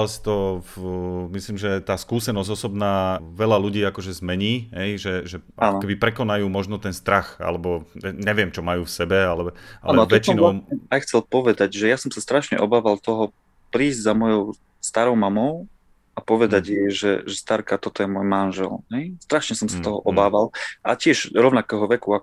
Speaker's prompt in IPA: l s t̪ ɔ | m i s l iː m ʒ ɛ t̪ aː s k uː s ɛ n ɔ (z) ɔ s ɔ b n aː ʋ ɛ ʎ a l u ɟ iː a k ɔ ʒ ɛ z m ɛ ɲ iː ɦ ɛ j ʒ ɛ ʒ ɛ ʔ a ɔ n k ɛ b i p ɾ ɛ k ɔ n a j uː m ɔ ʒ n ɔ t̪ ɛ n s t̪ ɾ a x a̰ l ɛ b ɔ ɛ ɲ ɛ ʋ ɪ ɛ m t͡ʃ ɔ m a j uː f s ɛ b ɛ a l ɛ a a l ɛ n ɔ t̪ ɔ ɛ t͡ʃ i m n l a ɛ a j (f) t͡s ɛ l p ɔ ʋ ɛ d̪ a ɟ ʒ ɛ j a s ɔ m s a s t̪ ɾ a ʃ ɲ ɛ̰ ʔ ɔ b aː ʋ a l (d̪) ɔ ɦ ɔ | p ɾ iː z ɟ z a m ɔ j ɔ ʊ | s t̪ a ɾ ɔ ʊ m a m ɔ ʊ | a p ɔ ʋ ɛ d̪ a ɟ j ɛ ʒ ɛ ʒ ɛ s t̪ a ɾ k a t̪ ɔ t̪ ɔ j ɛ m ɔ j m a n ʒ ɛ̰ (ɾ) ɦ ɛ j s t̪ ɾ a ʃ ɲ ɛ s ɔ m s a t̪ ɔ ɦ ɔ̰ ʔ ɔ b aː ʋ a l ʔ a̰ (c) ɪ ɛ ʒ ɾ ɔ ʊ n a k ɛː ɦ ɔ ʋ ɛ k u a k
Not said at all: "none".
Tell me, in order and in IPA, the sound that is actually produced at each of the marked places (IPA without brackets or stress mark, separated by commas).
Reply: z, x, t̪, l, c